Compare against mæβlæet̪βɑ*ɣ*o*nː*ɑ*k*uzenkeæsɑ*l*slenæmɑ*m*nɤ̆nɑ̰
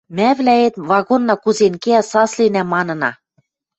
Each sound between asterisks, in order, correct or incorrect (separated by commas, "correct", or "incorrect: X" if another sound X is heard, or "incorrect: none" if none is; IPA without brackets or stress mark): correct, correct, correct, incorrect: none, incorrect: none